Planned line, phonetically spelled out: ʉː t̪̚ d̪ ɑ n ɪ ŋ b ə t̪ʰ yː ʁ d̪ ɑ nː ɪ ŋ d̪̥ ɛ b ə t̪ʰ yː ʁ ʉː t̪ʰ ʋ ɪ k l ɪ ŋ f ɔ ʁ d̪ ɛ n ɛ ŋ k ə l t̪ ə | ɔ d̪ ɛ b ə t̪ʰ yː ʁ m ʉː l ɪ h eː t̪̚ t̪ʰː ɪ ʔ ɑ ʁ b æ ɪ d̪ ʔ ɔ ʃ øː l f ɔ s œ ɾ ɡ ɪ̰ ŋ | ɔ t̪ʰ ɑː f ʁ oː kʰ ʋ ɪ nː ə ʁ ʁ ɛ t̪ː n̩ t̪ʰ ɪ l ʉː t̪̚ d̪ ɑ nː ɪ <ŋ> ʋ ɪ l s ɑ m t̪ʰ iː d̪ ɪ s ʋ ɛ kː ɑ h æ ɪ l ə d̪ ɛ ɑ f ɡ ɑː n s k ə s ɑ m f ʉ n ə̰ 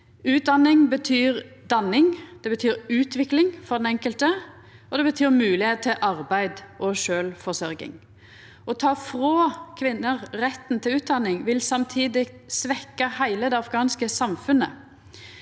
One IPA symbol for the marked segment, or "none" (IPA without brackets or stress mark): ŋ